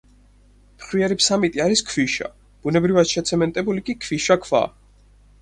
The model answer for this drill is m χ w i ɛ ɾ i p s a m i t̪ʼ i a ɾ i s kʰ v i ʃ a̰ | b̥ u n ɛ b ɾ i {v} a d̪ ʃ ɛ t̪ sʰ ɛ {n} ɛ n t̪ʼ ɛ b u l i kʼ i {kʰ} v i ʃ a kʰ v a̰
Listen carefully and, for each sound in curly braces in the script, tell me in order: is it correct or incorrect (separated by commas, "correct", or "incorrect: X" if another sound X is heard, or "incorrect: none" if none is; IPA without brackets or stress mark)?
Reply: correct, incorrect: m, correct